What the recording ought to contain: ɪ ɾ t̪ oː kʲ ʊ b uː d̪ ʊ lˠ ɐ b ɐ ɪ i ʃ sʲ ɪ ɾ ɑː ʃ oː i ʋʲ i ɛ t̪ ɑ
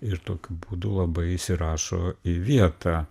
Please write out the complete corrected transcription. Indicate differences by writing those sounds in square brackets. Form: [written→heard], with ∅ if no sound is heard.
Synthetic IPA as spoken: ɪ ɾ t̪ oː kʲ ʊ b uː d̪ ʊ lˠ ɐ b ɐ ɪ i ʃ sʲ ɪ ɾ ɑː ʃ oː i ʋʲ i ɛ t̪ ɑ